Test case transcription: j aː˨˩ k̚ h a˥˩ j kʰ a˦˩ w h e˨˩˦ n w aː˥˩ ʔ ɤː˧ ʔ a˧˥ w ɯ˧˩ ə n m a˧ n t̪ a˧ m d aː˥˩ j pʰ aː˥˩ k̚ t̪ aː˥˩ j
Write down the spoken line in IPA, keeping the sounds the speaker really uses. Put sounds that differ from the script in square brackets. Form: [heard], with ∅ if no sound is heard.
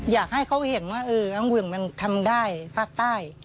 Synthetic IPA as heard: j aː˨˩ k̚ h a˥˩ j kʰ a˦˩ w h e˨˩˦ n w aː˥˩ ʔ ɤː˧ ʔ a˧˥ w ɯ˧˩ ə [ŋ] m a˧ n [t̪ʰ] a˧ m d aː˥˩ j pʰ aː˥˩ k̚ t̪ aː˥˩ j